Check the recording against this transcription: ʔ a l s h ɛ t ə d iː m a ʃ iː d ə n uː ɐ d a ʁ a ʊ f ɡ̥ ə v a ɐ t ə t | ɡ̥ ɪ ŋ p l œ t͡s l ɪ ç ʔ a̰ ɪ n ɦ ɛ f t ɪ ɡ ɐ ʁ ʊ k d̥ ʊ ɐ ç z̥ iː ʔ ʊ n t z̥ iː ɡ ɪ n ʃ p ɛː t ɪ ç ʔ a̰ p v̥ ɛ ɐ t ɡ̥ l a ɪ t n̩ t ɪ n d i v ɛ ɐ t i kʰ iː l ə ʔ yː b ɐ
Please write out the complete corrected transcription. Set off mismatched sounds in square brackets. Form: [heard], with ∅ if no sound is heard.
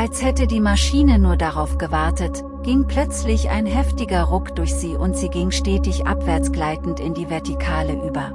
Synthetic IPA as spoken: ʔ a l s h ɛ t ə d iː m a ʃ iː [n] ə n uː ɐ d a ʁ a ʊ f ɡ̥ ə v a ɐ t ə t | ɡ̥ ɪ ŋ p l œ t͡s l ɪ ç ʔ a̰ ɪ n ɦ ɛ f t ɪ ɡ ɐ ʁ ʊ k d̥ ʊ ɐ ç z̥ iː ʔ ʊ n t z̥ iː ɡ ɪ [ŋ] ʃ [t] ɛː t ɪ ç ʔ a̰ p v̥ ɛ ɐ [t͡s] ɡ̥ l a ɪ t n̩ t ɪ n d [iː] v ɛ ɐ t i kʰ [aː] l ə ʔ yː b ɐ